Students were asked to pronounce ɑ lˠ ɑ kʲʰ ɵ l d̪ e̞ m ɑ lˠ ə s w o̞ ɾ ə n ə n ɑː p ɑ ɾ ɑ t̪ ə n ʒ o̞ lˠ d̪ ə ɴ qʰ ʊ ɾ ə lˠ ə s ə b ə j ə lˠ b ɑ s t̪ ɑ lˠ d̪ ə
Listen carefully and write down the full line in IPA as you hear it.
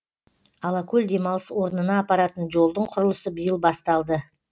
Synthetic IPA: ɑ lˠ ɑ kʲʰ ɵ l d̪ e̞ m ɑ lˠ ə s w o̞ ɾ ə n ə n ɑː p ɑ ɾ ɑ t̪ ə n ʒ o̞ lˠ d̪ ə ɴ qʰ ʊ ɾ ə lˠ ə s ə b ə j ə lˠ b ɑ s t̪ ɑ lˠ d̪ ə